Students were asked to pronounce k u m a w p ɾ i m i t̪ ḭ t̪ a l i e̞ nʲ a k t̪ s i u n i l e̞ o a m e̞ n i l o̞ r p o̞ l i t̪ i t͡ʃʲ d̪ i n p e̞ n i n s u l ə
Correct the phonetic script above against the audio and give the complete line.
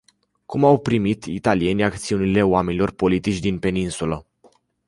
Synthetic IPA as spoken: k u m a w p ɾ i m i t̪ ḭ t̪ a l i e̞ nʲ a k t̪ s i u n i l e̞ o a m e̞ n i l o̞ r p o̞ l i t̪ i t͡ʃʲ d̪ i n p e̞ n i n s u l ə